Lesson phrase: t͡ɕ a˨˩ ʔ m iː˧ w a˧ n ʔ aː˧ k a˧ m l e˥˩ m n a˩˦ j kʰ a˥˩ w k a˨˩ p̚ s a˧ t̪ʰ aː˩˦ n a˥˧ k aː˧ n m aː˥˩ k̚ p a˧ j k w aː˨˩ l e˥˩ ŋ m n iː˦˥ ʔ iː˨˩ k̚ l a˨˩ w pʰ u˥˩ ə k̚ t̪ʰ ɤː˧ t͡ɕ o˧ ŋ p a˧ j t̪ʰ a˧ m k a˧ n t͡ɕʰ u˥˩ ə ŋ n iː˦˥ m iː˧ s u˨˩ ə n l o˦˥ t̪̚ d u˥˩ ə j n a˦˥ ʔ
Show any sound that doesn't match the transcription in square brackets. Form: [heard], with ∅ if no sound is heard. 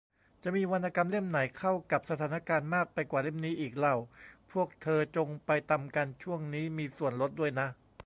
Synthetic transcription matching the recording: t͡ɕ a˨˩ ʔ m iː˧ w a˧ n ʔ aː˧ k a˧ m l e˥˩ m n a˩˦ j kʰ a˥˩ w k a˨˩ p̚ s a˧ t̪ʰ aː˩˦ n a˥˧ k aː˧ n m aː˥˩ k̚ p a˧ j k w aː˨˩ l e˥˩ [∅] m n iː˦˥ ʔ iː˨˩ k̚ l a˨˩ w pʰ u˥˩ ə k̚ t̪ʰ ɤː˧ t͡ɕ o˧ ŋ p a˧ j [t̪] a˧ m k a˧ n t͡ɕʰ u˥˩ ə ŋ n iː˦˥ m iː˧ s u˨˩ ə n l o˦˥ t̪̚ d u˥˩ ə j n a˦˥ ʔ

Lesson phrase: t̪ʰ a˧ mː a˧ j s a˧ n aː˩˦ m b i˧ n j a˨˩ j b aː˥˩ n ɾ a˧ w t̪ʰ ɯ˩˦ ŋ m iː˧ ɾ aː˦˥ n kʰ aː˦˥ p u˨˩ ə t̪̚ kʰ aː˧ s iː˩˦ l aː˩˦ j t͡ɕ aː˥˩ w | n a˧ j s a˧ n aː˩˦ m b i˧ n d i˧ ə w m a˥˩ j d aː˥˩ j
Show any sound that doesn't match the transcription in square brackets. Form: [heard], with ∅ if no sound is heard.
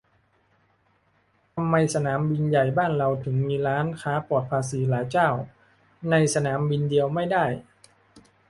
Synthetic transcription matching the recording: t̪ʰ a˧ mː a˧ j s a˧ n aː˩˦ m b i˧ n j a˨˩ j b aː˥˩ n ɾ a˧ w t̪ʰ ɯ˩˦ ŋ m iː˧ ɾ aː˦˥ n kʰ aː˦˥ p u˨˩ ə t̪̚ [pʰ] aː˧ s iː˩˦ l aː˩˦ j t͡ɕ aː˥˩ w | n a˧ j s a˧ n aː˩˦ m b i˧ n d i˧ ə w m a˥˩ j d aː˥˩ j

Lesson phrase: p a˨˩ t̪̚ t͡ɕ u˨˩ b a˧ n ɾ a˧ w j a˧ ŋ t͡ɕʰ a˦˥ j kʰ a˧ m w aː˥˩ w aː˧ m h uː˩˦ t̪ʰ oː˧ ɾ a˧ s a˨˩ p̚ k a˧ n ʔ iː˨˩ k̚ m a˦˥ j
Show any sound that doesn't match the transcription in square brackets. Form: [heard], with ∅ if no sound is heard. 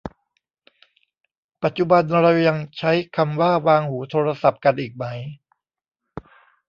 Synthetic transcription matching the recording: p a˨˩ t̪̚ t͡ɕ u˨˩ b a˧ n ɾ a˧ w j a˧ ŋ t͡ɕʰ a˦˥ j kʰ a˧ m w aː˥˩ w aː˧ [ŋ] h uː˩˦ t̪ʰ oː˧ ɾ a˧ s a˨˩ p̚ k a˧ n ʔ iː˨˩ k̚ m a˦˥ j

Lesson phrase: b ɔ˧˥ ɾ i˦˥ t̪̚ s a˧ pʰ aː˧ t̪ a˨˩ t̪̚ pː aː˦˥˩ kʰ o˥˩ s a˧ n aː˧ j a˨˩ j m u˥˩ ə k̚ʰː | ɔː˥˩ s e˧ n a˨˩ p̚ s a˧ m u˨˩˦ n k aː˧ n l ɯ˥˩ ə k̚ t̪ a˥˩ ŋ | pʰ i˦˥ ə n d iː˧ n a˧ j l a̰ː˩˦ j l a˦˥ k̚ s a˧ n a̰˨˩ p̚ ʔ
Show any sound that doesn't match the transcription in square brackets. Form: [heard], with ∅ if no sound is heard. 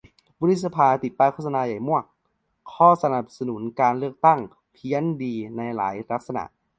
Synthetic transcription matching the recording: b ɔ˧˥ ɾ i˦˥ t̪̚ s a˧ pʰ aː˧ t̪ [i˨˩] t̪̚ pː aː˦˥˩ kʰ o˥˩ s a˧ n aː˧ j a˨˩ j m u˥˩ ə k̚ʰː | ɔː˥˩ s [a˧] n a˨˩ p̚ s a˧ [n] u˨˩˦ n k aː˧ n l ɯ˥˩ ə k̚ t̪ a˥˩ ŋ | pʰ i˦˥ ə n d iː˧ n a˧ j l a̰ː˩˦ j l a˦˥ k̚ s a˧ n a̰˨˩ [∅] ʔ

